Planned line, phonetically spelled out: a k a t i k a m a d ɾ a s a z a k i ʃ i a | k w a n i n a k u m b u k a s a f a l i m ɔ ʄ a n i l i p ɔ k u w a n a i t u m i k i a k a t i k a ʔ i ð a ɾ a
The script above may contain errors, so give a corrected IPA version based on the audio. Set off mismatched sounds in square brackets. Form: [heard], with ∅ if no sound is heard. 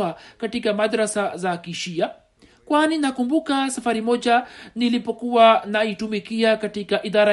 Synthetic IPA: a k a t i k a m a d ɾ a s a z a k i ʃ i a | k w a n i n a k u m b u k a s a f a [ɾ] i m ɔ ʄ a n i l i p ɔ k u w a n a i t u m i k i a k a t i k a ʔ i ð a ɾ a